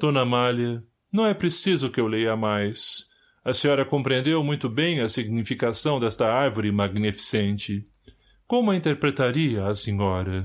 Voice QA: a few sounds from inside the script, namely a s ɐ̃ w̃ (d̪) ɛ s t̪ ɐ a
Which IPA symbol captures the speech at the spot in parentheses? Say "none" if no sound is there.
d̪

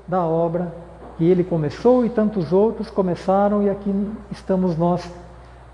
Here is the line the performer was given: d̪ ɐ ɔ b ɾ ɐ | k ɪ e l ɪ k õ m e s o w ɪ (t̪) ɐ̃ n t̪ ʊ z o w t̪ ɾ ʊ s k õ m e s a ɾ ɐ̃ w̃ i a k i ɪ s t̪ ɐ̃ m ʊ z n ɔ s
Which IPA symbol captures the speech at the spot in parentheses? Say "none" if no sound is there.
t̪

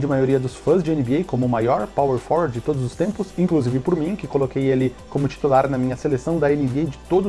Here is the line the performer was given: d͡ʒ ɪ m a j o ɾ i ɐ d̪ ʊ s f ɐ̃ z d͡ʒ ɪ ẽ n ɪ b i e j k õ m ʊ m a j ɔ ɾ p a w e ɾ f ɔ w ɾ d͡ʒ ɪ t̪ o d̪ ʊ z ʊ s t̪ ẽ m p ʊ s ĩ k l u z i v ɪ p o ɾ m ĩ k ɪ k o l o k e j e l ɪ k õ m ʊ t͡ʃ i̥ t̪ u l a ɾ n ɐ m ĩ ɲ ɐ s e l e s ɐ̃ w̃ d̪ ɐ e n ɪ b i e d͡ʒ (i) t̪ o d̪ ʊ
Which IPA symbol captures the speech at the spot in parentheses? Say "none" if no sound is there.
ɪ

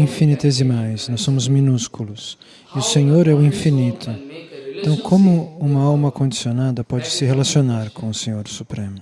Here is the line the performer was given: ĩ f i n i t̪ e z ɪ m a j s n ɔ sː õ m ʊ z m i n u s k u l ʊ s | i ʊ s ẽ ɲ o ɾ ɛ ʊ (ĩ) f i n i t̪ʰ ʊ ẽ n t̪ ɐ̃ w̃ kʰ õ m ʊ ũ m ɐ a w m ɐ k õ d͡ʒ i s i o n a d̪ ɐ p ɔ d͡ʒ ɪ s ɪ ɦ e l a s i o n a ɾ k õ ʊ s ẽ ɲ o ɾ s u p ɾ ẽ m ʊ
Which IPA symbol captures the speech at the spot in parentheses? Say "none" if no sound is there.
ĩ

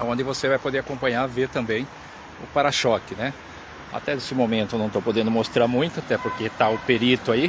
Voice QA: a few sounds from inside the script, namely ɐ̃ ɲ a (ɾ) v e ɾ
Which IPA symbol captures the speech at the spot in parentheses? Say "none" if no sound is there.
ɾ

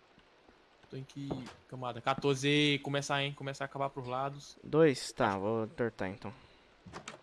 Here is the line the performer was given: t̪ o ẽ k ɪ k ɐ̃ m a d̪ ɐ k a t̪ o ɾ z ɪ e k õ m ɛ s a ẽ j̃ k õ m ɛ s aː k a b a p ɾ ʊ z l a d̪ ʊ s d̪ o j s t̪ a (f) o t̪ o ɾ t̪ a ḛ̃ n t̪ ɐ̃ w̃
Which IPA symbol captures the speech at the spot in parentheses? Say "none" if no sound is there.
v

